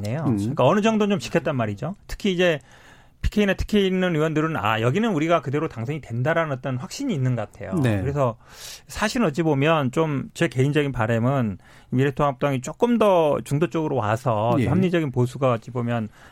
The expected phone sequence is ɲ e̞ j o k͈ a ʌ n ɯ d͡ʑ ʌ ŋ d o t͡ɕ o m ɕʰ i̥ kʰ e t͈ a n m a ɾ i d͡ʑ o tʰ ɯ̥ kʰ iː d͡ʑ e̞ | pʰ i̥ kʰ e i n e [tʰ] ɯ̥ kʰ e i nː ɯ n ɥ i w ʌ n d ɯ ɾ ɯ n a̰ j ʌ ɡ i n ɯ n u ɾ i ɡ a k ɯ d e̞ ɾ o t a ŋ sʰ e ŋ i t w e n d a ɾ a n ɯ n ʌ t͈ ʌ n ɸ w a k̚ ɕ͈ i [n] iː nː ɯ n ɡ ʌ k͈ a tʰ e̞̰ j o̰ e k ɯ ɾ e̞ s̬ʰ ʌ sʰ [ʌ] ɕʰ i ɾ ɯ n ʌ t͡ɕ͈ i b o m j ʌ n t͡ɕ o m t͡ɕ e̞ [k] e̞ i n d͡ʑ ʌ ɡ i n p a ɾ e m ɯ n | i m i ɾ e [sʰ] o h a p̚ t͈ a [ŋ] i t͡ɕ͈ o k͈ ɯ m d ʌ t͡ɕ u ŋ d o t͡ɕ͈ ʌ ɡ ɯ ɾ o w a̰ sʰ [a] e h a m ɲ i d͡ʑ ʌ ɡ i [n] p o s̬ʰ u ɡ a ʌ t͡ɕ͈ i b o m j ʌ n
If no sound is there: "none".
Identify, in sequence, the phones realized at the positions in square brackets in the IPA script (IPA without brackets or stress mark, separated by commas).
tʰ, ɲ, a, k, tʰ, ŋ, ʌ, n